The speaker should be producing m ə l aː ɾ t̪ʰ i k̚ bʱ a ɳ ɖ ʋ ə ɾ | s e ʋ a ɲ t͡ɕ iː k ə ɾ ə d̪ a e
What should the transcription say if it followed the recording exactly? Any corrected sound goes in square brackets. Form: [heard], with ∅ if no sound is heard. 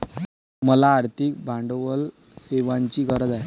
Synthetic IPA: m ə l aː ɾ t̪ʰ i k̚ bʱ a ɳ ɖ ʋ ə [l] | s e ʋ a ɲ t͡ɕ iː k ə ɾ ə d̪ a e